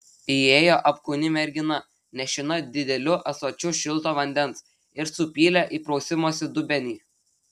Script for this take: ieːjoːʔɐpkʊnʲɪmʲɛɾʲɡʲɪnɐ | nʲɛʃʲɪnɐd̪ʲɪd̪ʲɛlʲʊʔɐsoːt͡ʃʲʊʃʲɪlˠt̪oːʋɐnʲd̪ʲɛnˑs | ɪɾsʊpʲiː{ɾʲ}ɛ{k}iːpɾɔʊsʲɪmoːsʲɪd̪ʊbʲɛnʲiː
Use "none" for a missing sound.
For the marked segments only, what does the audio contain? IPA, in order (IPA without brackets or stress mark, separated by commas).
lʲ, ʔ